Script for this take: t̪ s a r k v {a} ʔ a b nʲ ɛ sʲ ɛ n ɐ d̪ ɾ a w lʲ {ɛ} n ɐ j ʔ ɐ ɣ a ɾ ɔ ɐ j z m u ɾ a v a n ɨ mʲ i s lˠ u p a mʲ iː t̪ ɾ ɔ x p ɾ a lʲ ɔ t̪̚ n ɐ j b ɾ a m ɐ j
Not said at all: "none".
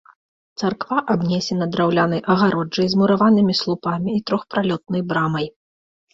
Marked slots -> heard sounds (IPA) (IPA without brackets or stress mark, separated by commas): a, a